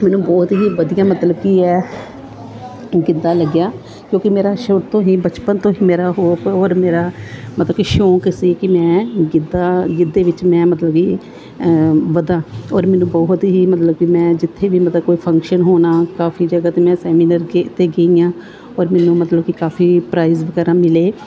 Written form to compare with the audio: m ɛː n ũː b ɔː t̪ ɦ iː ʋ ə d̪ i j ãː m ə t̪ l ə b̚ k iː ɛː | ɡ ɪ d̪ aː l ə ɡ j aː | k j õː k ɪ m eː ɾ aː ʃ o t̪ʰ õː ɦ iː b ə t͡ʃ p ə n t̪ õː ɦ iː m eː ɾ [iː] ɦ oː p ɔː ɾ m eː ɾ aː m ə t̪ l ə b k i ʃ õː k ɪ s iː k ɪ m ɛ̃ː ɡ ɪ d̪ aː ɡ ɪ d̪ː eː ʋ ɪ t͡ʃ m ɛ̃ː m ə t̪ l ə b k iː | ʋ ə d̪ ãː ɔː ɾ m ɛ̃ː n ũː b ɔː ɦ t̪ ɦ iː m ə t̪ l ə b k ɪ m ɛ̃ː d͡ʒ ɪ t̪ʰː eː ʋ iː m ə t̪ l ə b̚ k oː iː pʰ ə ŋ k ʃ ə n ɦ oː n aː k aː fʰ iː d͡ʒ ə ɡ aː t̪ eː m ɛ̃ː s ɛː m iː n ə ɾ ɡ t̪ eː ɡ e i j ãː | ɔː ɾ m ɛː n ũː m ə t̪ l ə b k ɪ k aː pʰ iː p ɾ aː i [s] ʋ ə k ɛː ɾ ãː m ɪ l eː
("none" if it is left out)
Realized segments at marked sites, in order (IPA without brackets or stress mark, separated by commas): aː, z